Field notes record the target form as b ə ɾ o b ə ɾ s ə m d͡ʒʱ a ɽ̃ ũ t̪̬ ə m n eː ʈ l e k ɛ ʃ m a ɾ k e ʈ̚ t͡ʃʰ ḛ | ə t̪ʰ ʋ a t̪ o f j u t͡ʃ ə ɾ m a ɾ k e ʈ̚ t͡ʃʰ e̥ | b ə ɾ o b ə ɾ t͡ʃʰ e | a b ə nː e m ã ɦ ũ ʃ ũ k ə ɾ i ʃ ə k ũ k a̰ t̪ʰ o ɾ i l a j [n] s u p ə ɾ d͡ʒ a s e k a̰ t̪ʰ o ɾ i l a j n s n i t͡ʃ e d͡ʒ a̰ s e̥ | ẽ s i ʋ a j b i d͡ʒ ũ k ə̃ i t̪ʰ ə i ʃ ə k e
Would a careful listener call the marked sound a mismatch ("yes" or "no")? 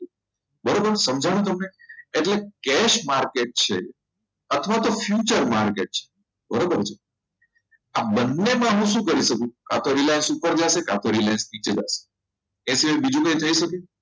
no